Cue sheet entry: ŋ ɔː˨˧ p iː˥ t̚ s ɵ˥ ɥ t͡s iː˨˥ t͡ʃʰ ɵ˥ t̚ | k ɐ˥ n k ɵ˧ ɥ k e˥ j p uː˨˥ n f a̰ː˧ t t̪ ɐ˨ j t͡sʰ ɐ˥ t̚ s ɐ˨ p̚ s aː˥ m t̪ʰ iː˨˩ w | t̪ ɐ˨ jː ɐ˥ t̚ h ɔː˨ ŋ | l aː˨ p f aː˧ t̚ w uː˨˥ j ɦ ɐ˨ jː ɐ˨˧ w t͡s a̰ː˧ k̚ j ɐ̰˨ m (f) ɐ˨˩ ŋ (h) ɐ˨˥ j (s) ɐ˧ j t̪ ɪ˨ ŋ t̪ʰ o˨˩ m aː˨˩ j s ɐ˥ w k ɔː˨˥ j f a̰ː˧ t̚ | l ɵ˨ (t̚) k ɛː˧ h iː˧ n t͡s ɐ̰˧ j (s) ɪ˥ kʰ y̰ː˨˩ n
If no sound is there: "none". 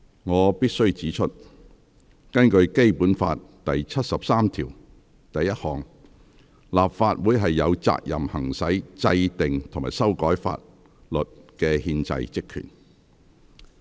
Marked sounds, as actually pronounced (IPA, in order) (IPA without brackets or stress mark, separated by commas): h, s, t͡s, t̚, t͡s